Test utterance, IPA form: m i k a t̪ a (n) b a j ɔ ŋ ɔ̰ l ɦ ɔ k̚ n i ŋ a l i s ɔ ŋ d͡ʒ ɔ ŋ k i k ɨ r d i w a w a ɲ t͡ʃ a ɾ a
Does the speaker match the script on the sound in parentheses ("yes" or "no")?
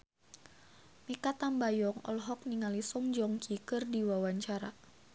no